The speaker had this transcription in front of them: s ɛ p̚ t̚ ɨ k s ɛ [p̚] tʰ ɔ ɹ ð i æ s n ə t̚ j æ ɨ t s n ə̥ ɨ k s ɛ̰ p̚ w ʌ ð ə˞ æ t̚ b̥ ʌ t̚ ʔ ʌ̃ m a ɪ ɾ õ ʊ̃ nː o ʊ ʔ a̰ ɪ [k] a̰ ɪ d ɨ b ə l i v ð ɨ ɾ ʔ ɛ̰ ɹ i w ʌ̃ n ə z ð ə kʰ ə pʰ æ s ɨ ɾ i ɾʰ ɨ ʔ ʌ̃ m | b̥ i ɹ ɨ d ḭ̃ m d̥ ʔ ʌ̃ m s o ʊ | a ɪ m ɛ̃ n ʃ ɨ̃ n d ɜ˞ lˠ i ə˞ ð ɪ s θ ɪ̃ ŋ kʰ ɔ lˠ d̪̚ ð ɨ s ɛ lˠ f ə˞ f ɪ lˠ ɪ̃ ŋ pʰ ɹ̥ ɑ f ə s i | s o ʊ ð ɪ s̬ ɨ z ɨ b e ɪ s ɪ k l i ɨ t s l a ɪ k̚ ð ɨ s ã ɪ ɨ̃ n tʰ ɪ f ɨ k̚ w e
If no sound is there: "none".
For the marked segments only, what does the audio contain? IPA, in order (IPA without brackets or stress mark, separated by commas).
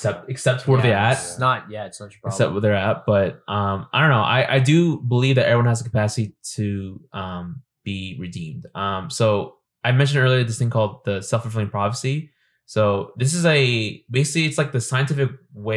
p̚, ʔ